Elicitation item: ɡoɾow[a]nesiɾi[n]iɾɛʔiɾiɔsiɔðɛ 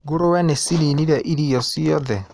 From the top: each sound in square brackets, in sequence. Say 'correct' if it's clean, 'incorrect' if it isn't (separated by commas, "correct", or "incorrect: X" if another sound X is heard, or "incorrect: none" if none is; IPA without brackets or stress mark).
incorrect: ɛ, correct